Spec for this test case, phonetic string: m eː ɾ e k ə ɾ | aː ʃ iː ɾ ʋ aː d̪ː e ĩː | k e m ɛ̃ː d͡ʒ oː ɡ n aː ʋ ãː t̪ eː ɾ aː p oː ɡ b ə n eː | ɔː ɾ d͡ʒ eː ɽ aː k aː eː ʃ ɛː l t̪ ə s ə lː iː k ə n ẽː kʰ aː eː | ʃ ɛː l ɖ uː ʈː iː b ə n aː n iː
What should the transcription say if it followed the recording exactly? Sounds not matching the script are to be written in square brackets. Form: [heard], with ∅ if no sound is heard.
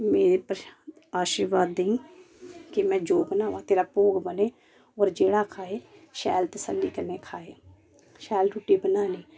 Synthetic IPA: m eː ɾ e [p] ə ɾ | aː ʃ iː ɾ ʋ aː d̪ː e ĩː | k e m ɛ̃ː d͡ʒ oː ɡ n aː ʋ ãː t̪ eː ɾ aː p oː ɡ b ə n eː | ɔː ɾ d͡ʒ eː ɽ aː [kʰ] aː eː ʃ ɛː l t̪ ə s ə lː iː k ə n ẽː kʰ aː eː | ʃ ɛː l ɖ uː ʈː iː b ə n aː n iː